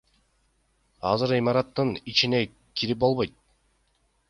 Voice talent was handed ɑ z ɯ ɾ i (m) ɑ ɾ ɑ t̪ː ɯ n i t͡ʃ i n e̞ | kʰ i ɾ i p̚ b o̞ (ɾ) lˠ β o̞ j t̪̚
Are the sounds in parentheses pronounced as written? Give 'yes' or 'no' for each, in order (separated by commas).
yes, no